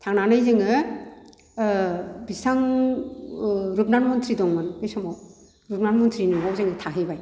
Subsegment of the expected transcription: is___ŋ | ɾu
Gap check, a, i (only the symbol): a